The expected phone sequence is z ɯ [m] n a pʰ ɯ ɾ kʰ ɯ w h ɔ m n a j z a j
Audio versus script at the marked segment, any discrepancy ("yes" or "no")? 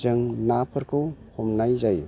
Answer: yes